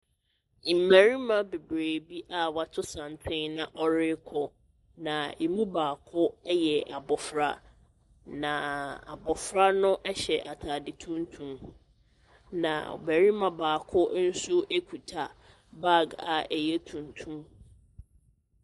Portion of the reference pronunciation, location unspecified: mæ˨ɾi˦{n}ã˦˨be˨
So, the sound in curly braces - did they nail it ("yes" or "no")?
no